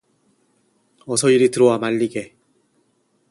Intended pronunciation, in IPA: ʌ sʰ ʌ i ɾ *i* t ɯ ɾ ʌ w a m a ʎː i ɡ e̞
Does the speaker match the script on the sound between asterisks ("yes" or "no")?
yes